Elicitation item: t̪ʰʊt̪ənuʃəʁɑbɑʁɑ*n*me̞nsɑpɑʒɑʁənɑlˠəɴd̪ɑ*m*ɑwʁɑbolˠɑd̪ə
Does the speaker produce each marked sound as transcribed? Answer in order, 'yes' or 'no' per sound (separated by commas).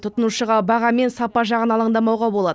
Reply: no, yes